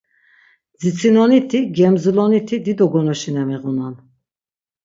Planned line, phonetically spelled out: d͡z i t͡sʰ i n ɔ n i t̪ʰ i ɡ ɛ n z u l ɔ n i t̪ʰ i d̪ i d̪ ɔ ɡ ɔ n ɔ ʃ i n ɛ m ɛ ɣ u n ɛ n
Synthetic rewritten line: d͡z i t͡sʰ i n ɔ n i t̪ʰ i ɡ ɛ m z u l ɔ n i t̪ʰ i d̪ i d̪ ɔ ɡ ɔ n ɔ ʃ i n ɛ m ɛ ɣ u n a n